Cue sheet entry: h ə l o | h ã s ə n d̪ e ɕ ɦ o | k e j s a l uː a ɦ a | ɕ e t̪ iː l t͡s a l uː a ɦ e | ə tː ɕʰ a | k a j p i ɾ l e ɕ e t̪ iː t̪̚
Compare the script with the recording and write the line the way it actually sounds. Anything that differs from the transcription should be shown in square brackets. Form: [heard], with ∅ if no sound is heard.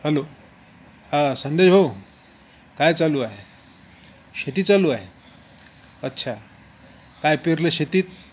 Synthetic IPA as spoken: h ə l o | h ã s ə n d̪ e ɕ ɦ o | k [a] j [t͡s] a l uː a ɦ [e] | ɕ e t̪ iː [∅] t͡s a l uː a ɦ e | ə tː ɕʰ a | k a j p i ɾ l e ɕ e t̪ iː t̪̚